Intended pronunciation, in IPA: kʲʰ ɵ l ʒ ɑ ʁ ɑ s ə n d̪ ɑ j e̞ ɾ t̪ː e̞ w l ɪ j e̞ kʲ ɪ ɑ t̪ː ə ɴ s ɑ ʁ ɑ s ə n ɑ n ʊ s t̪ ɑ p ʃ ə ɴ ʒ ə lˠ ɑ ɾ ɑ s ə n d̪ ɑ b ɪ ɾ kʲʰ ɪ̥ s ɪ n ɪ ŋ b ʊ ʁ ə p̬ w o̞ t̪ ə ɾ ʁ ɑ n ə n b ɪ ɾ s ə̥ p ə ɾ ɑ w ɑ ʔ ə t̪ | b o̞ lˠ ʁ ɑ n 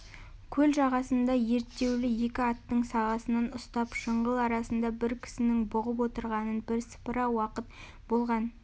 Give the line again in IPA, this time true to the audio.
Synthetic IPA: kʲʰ ɵ l ʒ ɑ ʁ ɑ s ə n d̪ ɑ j e̞ ɾ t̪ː e̞ w l ɪ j e̞ kʲ ɪ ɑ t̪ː ə ɴ s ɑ ʁ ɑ s ə n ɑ n ʊ s t̪ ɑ p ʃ ə ɴ ʁ ə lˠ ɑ ɾ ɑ s ə n d̪ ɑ b ɪ ɾ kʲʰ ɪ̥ s ɪ n ɪ ŋ b ʊ ʁ ə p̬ w o̞ t̪ ə ɾ ʁ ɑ n ə n b ɪ ɾ s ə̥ p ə ɾ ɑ w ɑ q ə t̪ | b o̞ lˠ ʁ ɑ n

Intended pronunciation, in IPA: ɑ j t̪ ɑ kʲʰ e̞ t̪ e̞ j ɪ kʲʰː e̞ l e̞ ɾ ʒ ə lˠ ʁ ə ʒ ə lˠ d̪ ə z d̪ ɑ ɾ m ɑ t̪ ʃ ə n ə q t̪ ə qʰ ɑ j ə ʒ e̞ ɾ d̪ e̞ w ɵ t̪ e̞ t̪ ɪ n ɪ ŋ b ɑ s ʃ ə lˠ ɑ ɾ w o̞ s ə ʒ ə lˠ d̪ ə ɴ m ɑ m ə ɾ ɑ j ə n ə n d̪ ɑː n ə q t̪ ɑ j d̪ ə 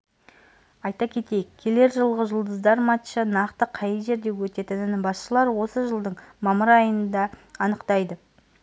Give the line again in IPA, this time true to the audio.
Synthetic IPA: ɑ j t̪ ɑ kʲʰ e̞ t̪ e̞ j ɪ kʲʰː e̞ l e̞ ɾ ʒ ə lˠ ʁ ə ʒ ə lˠ d̪ ə z d̪ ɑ ɾ m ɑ t̪ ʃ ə n ɑ q t̪ ə qʰ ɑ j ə ʒ e̞ ɾ d̪ e̞ w ɵ t̪ e̞ t̪ ɪ n ɪ n b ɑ s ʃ ə lˠ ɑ ɾ w o̞ s ə ʒ ə lˠ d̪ ə ɴ m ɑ m ə ɾ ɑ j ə n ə n d̪ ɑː n ə q t̪ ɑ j d̪ ə

